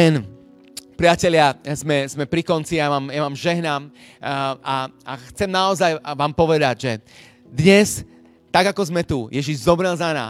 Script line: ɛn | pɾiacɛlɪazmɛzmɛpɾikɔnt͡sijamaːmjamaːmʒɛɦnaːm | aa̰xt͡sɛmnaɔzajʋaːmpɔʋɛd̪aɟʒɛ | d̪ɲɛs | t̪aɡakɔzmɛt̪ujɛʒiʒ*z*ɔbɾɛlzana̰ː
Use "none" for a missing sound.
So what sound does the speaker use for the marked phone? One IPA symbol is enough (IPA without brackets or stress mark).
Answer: z